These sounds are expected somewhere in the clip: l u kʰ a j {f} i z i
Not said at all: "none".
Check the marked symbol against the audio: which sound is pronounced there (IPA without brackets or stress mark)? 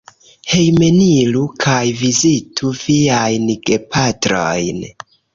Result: v